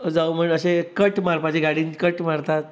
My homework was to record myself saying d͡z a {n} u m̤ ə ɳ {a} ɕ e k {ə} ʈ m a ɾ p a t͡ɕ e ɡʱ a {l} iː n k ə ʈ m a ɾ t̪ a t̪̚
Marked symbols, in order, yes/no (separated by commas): no, no, yes, no